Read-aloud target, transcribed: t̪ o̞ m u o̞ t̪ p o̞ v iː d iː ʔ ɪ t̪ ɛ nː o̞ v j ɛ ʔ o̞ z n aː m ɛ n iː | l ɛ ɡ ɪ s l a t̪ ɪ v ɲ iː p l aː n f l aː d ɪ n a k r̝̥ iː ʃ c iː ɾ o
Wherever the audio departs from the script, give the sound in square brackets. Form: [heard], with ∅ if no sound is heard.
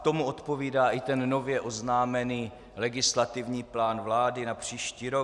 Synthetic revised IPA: t̪ o̞ m u o̞ t̪ p o̞ v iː d [aː] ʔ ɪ t̪ ɛ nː o̞ v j ɛ ʔ o̞ z n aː m ɛ n iː | l ɛ ɡ ɪ s l a t̪ ɪ v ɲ iː p l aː n [v] l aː d ɪ n a [p] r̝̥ iː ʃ c iː ɾ o